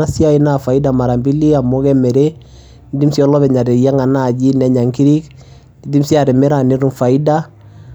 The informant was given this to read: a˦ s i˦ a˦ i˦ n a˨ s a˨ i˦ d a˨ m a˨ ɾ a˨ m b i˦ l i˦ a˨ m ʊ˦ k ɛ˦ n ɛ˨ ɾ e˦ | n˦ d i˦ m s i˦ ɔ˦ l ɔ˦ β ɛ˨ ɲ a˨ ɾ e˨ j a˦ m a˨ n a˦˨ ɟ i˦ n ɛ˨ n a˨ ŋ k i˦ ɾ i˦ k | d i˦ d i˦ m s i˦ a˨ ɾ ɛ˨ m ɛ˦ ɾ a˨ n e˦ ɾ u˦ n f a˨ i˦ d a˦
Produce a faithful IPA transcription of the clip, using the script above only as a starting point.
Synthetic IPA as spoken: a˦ s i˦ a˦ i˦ n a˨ f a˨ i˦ d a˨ m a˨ ɾ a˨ m b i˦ l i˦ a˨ m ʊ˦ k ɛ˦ m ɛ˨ ɾ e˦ | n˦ d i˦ m s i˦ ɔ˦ l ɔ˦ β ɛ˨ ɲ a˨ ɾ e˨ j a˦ ŋ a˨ n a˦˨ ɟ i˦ n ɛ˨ ɲ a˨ ŋ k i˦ ɾ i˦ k | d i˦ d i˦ m s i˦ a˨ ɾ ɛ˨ m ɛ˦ ɾ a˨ n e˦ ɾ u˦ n f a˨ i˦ d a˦